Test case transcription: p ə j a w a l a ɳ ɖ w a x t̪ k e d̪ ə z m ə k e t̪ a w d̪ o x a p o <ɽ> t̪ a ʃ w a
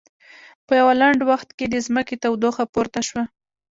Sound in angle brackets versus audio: incorrect: ɾ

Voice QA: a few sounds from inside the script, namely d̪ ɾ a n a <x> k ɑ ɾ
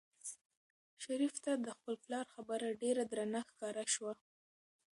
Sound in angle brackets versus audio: correct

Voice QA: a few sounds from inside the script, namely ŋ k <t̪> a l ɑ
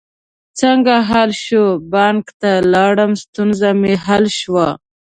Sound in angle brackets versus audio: correct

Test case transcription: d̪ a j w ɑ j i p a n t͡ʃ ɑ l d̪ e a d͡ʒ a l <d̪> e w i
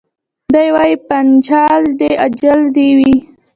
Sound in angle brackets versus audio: correct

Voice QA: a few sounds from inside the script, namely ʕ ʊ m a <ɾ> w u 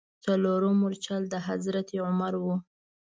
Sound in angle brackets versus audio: correct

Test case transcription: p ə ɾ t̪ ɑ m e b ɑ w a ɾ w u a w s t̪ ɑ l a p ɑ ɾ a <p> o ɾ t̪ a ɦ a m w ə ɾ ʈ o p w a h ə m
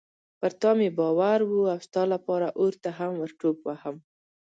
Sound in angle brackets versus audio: incorrect: ʔ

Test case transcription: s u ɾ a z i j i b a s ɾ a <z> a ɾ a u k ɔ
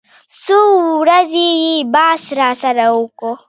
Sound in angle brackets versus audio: incorrect: s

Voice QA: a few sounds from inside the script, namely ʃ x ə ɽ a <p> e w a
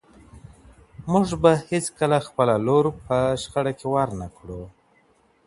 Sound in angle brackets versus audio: incorrect: k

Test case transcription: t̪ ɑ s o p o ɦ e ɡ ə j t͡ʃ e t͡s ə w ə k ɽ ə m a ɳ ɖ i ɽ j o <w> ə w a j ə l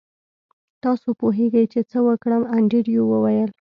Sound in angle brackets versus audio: correct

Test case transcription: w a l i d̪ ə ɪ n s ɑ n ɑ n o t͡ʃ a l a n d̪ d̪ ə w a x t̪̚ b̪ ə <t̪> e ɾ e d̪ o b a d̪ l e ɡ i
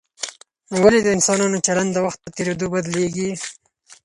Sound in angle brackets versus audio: correct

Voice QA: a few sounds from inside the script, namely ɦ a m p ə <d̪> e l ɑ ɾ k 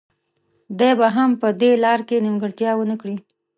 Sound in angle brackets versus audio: correct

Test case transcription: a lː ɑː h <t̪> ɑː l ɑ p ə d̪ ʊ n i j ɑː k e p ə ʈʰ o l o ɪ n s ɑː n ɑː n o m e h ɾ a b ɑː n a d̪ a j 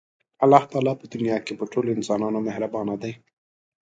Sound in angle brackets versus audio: correct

